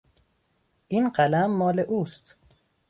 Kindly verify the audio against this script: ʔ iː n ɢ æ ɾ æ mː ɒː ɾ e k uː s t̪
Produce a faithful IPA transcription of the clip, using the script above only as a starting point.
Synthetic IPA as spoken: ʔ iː n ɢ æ l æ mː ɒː l e ʔ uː s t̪

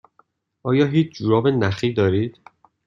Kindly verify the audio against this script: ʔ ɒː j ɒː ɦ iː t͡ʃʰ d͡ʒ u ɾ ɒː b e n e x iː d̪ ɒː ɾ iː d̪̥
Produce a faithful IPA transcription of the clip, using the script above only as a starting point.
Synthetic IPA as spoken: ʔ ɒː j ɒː ɦ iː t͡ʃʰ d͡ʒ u ɾ ɒː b e n æ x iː d̪ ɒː ɾ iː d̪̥

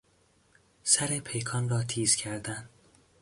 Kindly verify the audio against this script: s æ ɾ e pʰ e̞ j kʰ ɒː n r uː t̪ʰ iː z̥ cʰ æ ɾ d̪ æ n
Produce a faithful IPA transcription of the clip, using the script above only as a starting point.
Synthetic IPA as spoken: s æ ɾ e pʰ e̞ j kʰ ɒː n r ɒː t̪ʰ iː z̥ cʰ æ ɾ d̪ æ n

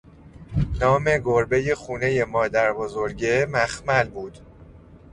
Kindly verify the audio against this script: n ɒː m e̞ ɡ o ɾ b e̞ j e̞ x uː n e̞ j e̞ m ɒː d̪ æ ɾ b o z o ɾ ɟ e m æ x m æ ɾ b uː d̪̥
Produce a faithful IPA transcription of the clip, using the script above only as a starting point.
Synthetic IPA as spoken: n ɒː m e̞ ɡ o ɾ b e̞ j e̞ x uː n e̞ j e̞ m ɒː d̪ æ ɾ b o z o ɾ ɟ e m æ x m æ l b uː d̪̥

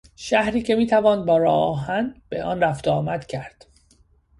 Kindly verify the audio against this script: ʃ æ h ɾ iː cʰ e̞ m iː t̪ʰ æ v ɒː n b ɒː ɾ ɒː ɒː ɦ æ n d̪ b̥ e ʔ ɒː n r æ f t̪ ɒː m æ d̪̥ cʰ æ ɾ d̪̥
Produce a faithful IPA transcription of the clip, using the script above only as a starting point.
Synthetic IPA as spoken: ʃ æ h ɾ iː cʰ e̞ m iː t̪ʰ æ v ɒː n b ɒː ɾ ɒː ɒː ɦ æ n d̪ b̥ e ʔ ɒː n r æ f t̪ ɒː m æ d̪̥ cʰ æ ɾ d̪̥

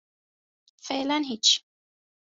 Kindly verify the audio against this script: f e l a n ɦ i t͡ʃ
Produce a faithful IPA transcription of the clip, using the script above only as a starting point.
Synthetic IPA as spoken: f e l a n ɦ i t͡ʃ

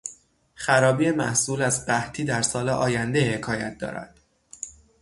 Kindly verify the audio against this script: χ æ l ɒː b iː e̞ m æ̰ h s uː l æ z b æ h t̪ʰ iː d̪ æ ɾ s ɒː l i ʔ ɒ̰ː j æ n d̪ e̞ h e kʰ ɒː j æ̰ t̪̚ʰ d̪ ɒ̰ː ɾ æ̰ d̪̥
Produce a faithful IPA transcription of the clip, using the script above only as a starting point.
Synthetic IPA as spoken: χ æ ɾ ɒː b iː e̞ m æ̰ h s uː l æ z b æ h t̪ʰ iː d̪ æ ɾ s ɒː l e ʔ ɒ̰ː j æ n d̪ e̞ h e kʰ ɒː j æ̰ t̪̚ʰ d̪ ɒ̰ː ɾ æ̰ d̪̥

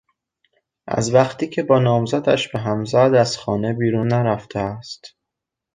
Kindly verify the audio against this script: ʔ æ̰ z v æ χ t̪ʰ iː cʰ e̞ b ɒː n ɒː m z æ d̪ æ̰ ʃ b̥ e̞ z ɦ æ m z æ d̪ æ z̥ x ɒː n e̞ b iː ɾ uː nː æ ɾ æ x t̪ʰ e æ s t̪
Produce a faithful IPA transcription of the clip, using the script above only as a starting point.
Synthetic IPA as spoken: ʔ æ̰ z v æ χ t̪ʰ iː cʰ e̞ b ɒː n ɒː m z æ d̪ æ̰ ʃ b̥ e̞ ɦ æ m z æ d̪ æ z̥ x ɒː n e̞ b iː ɾ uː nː æ ɾ æ f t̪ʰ e æ s t̪

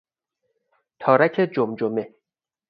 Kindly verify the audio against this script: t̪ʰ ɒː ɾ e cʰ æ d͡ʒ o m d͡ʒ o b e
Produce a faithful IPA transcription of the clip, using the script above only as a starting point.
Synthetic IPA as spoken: t̪ʰ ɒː ɾ æ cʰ e d͡ʒ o m d͡ʒ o m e

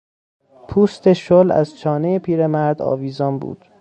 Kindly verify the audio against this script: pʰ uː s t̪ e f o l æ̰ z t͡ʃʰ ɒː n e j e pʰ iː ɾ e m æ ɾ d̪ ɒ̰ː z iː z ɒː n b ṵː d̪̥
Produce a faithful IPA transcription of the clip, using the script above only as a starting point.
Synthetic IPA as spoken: pʰ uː s t̪ e ʃ o l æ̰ z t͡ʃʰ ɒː n e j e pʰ iː ɾ e m æ ɾ d̪ ɒ̰ː v iː z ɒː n b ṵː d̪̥

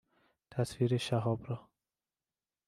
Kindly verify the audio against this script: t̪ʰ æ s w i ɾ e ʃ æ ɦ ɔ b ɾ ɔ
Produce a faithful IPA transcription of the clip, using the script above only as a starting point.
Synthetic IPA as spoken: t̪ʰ a s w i ɾ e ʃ a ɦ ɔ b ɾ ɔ

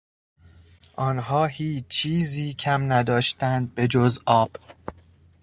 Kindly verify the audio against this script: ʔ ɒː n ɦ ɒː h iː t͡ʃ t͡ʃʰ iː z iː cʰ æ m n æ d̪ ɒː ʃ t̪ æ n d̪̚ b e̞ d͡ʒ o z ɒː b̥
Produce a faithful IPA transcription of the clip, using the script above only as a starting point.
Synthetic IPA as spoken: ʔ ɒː n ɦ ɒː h iː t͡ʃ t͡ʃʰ iː z iː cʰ æ m n æ d̪ ɒː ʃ t̪ æ n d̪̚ b e̞ d͡ʒ o z ɒː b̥

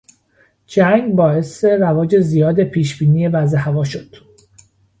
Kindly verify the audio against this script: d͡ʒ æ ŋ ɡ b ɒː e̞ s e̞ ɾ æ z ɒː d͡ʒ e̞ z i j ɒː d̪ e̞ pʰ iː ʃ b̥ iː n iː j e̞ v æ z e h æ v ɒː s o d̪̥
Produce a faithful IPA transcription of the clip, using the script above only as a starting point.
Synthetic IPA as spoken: d͡ʒ æ ŋ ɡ b ɒː e̞ s e̞ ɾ æ v ɒː d͡ʒ e̞ z i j ɒː d̪ e̞ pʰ iː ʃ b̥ iː n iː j e̞ v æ z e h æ v ɒː ʃ o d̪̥

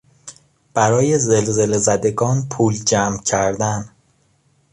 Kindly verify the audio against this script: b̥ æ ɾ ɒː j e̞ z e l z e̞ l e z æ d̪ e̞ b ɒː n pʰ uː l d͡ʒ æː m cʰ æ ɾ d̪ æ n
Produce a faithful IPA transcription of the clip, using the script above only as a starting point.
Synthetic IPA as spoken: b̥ æ ɾ ɒː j e̞ z e l z e̞ l e z æ d̪ e̞ ɡ ɒː n pʰ uː l d͡ʒ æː m cʰ æ ɾ d̪ æ n

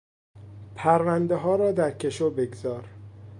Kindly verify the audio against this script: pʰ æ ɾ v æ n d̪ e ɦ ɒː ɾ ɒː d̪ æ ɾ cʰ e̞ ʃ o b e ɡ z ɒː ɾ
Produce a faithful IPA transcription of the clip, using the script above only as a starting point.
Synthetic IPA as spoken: pʰ æ ɾ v æ n d̪ e ɦ ɒː ɾ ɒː d̪ æ ɾ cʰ e̞ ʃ o b e ɡ z ɒː ɾ

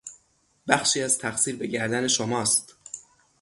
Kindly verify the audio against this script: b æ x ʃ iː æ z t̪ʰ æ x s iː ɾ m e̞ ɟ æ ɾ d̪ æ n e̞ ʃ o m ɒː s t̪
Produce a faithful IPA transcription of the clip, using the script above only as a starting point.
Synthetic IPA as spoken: b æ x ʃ iː æ z t̪ʰ æ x s iː ɾ b e̞ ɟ æ ɾ d̪ æ n e̞ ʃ o m ɒː s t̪

